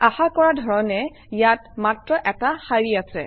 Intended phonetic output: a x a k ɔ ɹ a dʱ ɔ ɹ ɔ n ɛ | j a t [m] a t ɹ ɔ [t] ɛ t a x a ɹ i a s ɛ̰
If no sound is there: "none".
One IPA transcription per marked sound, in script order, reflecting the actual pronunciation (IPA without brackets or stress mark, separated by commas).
m, ʔ